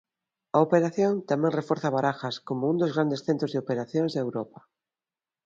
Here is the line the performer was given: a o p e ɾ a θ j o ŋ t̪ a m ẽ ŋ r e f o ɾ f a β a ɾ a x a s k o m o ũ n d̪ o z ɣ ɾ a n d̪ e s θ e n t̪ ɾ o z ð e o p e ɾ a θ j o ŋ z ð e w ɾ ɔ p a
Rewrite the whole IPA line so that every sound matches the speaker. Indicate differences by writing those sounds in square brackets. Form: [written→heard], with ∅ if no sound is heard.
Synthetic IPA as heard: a o p e ɾ a θ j o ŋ t̪ a m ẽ ŋ r e f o ɾ [f→θ] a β a ɾ a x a s k o m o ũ n d̪ o z ɣ ɾ a n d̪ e s θ e n t̪ ɾ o z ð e o p e ɾ a θ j o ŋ z ð e w ɾ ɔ p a